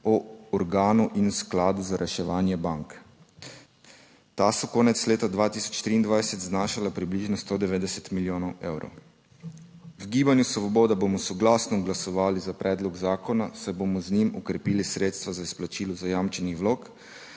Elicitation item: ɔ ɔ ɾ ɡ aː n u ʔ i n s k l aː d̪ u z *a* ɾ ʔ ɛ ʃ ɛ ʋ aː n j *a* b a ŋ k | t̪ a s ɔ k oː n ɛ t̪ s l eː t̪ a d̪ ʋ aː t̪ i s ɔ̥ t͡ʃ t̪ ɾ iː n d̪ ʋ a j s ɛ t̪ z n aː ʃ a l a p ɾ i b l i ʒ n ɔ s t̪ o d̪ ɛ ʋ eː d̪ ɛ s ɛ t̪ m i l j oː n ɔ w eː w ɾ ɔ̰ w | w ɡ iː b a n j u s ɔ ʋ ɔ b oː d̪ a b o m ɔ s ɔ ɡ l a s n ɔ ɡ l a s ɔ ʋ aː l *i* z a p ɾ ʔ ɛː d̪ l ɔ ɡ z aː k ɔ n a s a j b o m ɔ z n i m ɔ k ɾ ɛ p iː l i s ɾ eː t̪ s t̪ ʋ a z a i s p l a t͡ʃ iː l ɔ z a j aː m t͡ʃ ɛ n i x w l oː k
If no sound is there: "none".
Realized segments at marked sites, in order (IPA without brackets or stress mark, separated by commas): a, ɛ, i